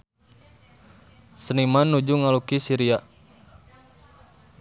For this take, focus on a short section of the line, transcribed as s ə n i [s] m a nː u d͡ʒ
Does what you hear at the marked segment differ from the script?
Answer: yes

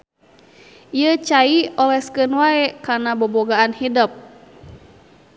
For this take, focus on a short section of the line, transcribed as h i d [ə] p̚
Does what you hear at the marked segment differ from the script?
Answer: no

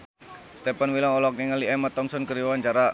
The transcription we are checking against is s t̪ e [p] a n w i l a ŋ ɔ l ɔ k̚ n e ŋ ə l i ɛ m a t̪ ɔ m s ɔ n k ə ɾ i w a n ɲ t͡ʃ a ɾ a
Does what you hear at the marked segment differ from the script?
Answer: no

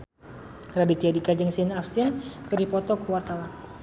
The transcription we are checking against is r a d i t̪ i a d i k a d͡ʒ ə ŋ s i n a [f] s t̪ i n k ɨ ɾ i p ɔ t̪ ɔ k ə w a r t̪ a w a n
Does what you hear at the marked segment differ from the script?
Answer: no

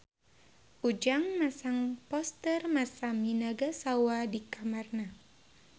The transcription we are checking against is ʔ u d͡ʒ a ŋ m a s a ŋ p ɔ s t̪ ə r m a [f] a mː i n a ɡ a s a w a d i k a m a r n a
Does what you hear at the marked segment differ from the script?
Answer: yes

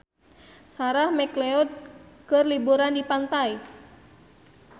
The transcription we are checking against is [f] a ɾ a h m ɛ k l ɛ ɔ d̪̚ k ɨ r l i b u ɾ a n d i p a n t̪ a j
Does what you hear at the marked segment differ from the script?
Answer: yes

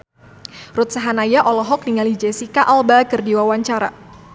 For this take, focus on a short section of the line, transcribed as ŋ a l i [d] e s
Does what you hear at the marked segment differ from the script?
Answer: yes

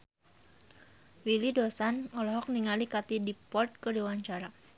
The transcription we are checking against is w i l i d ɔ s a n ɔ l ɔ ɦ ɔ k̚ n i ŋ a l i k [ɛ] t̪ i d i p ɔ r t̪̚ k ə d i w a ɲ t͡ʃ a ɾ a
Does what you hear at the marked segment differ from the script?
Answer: yes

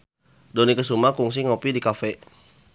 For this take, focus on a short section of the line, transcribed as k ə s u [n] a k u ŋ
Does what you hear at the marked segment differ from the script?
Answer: yes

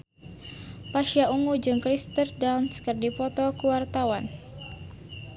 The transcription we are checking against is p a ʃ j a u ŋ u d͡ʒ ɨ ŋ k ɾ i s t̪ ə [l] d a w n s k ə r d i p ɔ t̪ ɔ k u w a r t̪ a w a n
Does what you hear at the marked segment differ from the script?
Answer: yes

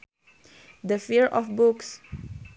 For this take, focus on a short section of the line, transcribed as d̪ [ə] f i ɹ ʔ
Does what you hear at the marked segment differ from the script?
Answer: no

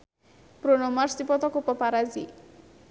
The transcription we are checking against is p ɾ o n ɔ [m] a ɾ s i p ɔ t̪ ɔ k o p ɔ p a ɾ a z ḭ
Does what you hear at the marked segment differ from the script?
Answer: no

